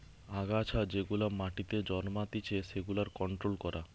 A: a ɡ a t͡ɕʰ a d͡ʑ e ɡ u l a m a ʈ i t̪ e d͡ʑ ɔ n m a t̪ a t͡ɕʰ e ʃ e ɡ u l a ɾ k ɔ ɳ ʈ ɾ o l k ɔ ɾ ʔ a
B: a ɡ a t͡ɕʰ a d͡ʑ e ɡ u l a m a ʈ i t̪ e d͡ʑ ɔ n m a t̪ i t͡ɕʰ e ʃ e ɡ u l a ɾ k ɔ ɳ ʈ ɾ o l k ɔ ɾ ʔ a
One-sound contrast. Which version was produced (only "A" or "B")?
B